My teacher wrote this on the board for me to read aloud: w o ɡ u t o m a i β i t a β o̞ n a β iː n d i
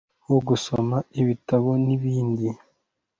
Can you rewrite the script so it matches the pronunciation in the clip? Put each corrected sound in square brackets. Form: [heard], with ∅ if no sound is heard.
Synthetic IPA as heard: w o ɡ u [s] o m a i β i t a β o̞ n [i] β iː n d i